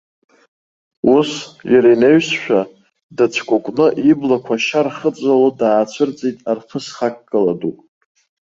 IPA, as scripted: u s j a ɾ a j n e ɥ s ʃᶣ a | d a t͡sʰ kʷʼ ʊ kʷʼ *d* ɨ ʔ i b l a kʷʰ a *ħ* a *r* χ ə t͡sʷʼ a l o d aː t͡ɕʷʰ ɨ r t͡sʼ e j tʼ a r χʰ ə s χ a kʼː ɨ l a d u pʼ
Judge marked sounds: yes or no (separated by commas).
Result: no, no, yes